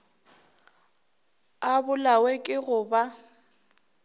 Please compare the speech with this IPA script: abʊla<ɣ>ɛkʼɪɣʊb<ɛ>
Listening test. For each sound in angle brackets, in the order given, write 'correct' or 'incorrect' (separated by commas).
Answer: incorrect, incorrect